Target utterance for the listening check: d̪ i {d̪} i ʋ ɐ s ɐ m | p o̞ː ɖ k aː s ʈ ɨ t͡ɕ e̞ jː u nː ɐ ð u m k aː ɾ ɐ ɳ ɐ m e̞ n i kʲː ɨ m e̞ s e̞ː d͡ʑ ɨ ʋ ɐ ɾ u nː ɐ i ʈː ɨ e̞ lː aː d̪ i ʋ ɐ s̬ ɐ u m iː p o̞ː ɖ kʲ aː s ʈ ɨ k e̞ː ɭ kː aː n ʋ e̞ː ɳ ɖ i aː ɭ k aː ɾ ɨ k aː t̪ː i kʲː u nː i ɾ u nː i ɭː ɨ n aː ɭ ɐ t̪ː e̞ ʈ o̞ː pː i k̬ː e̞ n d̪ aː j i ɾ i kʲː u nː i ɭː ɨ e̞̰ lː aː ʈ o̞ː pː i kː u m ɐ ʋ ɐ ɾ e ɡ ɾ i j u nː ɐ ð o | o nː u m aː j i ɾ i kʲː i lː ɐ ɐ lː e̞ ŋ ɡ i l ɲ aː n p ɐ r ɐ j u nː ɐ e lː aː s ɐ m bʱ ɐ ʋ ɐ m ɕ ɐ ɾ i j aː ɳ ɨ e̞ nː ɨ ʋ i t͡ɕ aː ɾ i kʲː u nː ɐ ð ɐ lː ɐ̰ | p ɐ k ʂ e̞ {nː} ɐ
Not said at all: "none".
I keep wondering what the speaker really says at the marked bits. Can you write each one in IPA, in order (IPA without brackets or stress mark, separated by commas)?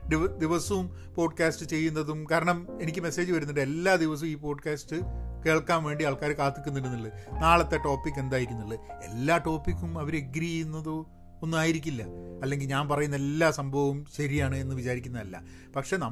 d̪, n